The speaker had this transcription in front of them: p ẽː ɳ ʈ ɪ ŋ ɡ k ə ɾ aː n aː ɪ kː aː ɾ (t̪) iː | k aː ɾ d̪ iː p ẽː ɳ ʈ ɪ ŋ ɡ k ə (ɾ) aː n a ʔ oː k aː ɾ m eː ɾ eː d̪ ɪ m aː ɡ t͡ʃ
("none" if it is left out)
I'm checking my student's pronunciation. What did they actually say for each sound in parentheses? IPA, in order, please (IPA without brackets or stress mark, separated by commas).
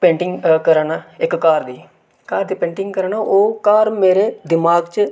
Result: d̪, ɾ